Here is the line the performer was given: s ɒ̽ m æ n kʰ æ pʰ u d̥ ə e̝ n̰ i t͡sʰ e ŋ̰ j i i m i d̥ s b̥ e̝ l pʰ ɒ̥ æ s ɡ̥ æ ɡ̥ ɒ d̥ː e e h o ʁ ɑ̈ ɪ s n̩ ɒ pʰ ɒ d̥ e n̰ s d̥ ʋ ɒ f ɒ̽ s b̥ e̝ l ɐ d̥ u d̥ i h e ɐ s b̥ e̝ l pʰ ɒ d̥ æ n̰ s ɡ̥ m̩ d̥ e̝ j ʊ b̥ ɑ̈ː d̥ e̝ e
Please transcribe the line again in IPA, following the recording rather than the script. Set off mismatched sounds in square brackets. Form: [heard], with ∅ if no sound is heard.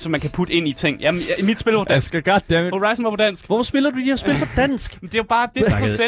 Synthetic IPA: s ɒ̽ m æ n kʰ æ pʰ u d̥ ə e̝ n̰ i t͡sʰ e ŋ̰ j [æ] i m i d̥ s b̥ e̝ l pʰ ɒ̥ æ s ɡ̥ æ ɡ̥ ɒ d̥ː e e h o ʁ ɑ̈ ɪ s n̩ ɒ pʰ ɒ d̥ [æ] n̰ s [ɡ̥] ʋ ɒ f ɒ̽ s b̥ e̝ l ɐ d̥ u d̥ i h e ɐ s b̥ e̝ l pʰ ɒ d̥ æ n̰ s ɡ̥ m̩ d̥ e̝ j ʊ b̥ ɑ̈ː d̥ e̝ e